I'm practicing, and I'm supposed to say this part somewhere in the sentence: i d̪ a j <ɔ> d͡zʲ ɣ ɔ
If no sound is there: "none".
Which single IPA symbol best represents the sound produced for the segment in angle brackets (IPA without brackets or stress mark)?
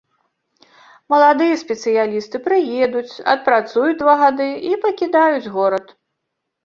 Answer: u